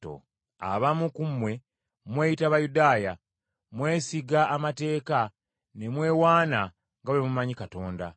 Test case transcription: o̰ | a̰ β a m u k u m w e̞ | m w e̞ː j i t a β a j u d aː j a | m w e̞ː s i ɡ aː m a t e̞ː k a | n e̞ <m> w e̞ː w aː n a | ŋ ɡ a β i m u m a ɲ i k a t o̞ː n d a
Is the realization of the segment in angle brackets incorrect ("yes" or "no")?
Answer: no